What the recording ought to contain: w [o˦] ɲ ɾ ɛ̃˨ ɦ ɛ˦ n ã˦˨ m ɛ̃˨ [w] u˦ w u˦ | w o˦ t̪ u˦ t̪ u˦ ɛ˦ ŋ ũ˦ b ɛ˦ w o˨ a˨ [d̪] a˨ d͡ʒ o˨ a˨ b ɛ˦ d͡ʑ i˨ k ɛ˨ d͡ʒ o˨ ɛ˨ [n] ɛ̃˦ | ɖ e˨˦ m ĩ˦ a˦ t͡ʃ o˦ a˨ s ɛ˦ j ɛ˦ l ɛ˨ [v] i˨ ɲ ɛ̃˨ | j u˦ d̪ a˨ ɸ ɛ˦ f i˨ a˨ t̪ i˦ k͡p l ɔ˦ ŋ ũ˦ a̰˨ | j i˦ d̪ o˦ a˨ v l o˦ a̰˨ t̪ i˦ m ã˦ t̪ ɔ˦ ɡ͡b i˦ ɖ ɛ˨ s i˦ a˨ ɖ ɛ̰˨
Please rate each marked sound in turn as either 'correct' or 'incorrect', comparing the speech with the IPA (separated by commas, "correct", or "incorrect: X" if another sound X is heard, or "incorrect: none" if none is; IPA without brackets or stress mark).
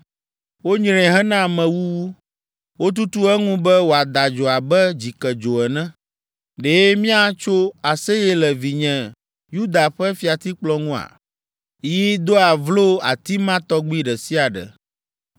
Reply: correct, correct, correct, correct, correct